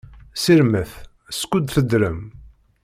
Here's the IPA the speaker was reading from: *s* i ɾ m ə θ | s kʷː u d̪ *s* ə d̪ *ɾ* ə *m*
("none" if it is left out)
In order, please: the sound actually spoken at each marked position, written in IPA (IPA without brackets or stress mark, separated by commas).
s, θ, ɾ, m